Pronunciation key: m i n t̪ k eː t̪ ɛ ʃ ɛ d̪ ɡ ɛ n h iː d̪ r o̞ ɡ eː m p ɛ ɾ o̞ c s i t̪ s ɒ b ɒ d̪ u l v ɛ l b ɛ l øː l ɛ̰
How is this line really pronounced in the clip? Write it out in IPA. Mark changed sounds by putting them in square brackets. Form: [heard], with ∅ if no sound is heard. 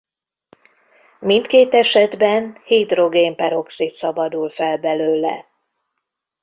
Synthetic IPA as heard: m i n t̪ k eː t̪ ɛ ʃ ɛ d̪ [b] ɛ n h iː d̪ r o̞ ɡ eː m p ɛ ɾ o̞ [k] s i t̪ s ɒ b ɒ d̪ u l [f] ɛ l b ɛ l øː l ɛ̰